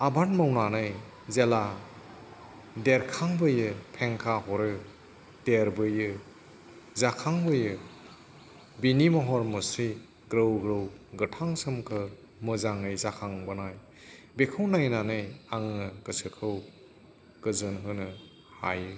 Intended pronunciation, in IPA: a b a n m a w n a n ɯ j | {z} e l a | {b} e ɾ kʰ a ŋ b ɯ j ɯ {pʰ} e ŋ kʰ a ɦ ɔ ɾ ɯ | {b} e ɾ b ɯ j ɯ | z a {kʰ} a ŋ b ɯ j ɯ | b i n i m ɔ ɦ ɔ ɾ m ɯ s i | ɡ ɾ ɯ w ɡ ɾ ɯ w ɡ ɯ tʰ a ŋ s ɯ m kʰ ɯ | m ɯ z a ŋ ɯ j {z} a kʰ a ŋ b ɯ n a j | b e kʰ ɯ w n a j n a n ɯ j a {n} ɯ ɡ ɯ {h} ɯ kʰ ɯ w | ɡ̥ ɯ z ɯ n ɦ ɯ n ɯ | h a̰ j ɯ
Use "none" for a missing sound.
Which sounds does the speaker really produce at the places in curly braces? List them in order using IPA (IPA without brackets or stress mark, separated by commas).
z, d, pʰ, d, kʰ, z, ŋ, s